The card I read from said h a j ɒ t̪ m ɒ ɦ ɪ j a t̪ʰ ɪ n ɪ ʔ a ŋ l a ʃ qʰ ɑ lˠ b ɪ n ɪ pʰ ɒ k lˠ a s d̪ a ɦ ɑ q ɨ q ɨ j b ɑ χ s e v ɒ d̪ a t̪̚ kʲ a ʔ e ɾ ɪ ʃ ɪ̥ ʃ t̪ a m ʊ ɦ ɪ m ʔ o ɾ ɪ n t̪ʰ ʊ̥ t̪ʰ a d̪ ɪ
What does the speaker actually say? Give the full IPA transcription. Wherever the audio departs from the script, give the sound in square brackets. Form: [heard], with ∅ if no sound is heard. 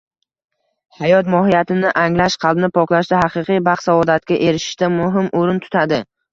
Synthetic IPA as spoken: h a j ɒ t̪ m ɒ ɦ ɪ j a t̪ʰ ɪ n ɪ ʔ a ŋ l a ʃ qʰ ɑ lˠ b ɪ n ɪ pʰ ɒ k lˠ a [ʃ] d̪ a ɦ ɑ q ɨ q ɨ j b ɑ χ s [a] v ɒ d̪ a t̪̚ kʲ a ʔ e ɾ ɪ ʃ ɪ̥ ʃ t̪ a m ʊ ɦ ɪ m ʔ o ɾ ɪ n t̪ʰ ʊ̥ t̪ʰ a d̪ ɪ